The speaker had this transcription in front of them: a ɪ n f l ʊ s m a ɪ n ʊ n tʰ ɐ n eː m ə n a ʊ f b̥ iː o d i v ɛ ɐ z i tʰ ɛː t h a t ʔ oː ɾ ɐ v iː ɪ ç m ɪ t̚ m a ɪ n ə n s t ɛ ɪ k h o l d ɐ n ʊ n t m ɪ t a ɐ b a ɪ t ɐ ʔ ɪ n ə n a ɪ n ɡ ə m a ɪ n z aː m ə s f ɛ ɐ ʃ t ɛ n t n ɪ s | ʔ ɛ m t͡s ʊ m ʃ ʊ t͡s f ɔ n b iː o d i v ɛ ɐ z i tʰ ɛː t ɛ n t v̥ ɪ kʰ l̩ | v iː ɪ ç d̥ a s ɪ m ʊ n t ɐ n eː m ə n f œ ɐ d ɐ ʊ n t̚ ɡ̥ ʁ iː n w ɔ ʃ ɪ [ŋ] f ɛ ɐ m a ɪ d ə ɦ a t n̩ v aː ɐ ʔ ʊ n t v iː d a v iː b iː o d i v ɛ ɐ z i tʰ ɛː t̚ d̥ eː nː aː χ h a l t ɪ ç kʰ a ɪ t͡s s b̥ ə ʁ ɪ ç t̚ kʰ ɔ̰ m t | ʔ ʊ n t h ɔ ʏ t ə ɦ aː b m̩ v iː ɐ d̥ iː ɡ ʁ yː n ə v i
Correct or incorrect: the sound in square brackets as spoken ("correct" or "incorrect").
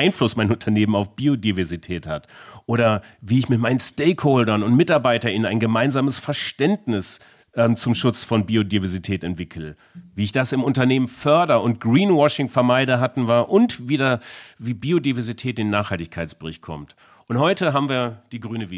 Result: correct